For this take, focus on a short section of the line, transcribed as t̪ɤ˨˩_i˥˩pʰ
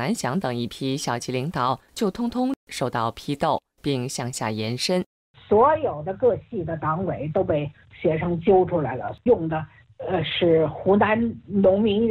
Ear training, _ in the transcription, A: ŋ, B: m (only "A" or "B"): A